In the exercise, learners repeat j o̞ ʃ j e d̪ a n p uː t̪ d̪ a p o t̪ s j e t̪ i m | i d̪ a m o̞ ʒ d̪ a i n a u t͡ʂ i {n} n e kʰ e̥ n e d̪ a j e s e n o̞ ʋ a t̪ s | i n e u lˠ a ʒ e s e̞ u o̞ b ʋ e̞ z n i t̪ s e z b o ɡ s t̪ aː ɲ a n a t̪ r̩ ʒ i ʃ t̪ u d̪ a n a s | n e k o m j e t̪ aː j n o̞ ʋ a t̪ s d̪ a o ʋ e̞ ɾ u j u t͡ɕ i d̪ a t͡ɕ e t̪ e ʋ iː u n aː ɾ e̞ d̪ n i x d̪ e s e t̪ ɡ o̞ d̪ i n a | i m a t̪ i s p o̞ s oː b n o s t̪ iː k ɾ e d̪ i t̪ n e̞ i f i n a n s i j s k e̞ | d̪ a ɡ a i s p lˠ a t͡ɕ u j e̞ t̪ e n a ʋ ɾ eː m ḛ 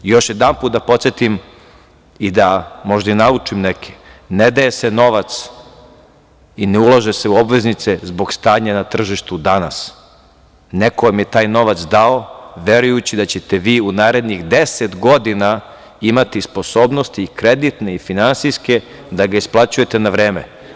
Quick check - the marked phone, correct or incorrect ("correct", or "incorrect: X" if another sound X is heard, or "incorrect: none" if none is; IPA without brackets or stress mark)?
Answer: incorrect: m